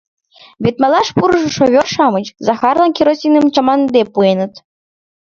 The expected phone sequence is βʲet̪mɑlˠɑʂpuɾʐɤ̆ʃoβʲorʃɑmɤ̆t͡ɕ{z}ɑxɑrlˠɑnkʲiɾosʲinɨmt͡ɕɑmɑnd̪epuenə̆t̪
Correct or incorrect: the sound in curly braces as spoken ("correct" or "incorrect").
correct